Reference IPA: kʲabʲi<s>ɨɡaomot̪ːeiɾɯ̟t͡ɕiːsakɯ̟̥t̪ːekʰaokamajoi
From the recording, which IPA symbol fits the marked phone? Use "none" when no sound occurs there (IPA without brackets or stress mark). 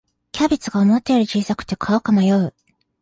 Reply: t͡s